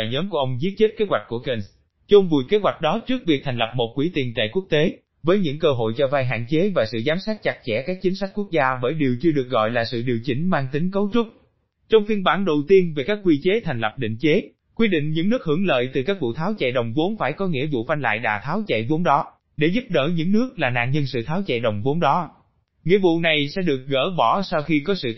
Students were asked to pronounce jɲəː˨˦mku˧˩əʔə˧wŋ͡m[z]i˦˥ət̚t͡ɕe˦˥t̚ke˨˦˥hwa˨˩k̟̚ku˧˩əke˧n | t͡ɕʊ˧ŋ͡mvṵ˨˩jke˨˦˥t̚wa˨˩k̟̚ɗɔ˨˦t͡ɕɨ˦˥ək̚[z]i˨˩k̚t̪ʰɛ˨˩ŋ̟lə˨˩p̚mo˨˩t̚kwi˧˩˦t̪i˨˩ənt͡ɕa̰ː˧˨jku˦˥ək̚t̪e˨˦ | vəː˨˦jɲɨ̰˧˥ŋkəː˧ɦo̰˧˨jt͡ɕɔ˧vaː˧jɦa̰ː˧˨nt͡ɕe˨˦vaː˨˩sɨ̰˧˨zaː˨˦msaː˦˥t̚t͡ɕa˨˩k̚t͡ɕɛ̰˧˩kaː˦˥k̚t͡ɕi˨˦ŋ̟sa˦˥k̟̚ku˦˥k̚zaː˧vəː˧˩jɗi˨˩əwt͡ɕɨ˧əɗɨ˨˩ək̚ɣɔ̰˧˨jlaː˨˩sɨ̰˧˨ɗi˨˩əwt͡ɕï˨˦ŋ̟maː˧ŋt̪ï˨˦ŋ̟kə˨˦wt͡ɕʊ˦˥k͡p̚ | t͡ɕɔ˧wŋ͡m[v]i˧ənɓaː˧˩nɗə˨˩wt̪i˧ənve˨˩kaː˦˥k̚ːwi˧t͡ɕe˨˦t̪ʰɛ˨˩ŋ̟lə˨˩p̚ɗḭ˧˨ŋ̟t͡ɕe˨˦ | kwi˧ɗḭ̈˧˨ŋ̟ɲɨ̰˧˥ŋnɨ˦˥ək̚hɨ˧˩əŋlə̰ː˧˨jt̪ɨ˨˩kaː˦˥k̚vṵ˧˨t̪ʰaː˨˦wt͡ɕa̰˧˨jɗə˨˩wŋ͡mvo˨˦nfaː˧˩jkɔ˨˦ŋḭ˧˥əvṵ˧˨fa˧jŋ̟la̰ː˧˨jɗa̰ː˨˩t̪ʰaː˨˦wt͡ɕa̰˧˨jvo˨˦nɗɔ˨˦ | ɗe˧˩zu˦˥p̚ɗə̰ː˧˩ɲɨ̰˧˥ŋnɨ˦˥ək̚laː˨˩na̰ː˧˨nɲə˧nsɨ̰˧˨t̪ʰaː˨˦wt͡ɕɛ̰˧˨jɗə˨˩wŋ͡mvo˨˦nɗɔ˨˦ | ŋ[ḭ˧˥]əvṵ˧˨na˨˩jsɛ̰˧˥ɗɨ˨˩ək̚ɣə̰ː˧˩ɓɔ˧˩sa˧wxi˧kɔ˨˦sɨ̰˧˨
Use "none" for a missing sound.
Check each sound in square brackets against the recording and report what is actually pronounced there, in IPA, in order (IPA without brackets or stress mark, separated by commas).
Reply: z, v, f, ḭ˧˥